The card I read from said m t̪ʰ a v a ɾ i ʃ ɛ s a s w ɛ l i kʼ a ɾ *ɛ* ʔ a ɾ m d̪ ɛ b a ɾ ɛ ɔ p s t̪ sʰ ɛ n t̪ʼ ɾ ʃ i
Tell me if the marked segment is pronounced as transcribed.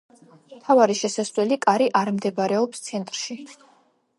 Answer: no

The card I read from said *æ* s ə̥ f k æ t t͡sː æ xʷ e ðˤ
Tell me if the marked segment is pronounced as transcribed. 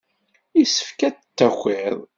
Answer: no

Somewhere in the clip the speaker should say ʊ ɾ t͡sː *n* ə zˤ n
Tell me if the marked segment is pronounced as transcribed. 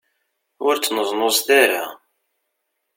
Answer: yes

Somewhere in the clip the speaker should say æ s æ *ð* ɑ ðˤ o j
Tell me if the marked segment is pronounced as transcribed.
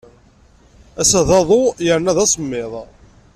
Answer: yes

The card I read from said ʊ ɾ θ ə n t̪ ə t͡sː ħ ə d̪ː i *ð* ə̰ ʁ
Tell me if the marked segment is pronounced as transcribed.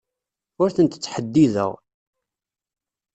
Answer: yes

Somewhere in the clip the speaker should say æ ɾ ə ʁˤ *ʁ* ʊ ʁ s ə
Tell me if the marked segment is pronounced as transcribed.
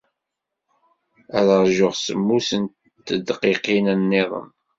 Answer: no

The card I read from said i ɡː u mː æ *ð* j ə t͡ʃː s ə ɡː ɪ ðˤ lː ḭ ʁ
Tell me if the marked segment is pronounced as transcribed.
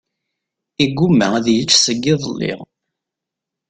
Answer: yes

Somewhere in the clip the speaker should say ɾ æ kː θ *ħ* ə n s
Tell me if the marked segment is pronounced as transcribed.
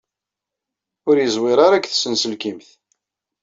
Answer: no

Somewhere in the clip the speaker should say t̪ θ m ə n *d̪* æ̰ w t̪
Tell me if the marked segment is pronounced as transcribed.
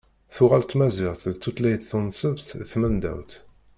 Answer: yes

